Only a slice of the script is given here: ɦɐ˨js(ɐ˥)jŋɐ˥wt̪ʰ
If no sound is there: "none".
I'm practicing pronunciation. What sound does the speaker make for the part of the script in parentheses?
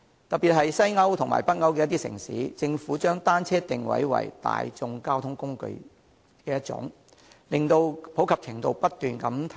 ɐ˥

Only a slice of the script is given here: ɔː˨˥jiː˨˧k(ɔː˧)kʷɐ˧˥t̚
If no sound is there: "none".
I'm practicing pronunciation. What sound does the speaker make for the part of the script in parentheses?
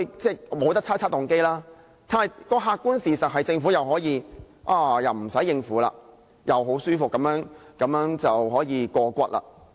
ɔː˧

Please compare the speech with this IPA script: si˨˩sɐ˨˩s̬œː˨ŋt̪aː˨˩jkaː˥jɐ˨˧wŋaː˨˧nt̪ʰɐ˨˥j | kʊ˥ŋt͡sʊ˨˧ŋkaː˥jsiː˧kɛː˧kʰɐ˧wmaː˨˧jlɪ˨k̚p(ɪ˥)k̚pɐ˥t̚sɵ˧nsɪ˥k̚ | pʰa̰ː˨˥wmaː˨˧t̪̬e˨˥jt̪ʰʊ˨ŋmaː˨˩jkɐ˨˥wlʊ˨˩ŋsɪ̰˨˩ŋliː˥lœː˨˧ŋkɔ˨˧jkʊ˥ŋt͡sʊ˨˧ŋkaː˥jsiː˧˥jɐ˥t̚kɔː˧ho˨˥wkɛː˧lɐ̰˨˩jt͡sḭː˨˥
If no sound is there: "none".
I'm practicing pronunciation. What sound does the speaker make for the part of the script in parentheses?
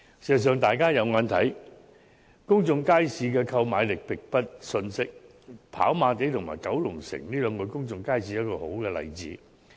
ɪ˨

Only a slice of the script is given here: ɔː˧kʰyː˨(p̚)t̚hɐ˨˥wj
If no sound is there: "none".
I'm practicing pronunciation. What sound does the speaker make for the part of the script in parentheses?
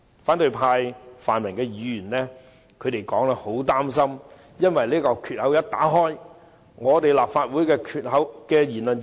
none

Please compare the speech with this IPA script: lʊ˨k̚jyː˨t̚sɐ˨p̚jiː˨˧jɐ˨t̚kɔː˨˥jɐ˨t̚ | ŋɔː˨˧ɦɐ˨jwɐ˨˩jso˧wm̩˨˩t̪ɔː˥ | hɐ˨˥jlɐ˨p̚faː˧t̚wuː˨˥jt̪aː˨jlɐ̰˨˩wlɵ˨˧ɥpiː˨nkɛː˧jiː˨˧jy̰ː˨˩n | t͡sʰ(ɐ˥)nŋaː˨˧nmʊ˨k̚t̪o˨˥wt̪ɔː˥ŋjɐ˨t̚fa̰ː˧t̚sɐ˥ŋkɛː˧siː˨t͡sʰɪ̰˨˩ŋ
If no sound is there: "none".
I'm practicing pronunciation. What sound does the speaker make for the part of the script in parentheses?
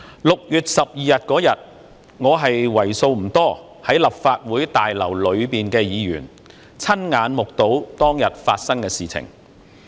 ɐ˥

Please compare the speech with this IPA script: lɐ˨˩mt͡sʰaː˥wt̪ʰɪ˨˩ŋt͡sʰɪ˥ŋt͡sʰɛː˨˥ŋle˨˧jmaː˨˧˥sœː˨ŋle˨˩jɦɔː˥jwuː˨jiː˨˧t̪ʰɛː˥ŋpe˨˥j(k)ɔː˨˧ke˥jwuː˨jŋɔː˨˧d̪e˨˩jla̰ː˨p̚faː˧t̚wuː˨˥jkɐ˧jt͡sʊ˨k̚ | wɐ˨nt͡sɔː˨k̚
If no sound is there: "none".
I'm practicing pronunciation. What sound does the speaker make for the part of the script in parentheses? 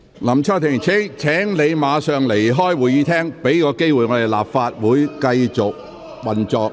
k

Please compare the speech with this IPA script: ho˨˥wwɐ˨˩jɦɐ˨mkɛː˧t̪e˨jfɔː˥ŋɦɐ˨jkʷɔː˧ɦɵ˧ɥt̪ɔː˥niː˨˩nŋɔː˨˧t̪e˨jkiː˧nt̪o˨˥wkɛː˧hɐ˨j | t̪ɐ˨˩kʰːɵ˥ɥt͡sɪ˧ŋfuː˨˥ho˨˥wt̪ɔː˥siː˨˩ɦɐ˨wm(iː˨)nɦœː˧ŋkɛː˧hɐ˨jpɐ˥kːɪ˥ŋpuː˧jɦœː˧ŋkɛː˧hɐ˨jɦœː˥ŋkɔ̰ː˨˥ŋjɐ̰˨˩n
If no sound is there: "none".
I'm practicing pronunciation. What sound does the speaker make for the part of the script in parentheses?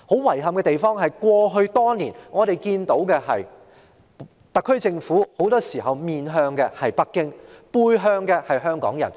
iː˨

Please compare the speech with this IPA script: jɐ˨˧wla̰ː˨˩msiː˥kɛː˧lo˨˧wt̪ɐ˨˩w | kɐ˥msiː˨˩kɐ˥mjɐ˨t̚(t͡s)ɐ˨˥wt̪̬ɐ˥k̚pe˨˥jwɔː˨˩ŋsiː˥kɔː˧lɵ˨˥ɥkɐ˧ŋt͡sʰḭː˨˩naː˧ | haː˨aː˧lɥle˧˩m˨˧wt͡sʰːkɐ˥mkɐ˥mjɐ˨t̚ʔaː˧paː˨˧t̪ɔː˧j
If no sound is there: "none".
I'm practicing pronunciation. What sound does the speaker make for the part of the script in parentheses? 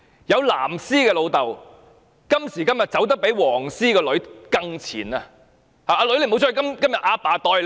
t͡s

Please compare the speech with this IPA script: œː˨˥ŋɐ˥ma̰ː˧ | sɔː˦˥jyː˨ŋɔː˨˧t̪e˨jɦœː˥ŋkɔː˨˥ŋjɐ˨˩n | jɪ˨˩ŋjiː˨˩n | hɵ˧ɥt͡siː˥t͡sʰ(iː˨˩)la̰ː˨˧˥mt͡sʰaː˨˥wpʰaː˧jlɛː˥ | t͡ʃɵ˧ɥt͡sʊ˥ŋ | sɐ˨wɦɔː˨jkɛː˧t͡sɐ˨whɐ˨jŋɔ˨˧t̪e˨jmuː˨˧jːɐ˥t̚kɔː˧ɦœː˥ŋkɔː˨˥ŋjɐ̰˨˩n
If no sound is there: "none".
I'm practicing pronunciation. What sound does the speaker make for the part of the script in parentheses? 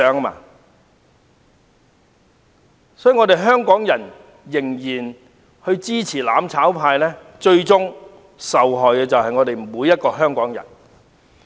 iː˨˩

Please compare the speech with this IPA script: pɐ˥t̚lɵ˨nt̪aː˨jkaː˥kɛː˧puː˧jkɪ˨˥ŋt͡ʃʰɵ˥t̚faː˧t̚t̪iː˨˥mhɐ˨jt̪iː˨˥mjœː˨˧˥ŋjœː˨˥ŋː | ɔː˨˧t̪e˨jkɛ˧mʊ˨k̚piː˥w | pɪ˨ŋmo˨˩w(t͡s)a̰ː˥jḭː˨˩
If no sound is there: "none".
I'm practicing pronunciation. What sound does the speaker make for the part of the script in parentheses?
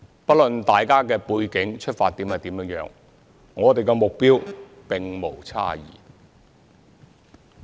t͡sʰ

